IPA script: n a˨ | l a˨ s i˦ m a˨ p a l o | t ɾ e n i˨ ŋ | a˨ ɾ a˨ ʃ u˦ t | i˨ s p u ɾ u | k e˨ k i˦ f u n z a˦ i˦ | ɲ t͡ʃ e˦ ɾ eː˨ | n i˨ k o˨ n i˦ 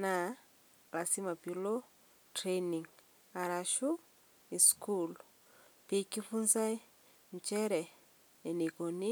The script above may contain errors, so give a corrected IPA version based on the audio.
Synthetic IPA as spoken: n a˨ | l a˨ s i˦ m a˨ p i l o | t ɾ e n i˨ ŋ | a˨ ɾ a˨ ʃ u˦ | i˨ s k u l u | p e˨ k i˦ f u n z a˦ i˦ | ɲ t͡ʃ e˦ ɾ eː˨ | n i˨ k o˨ n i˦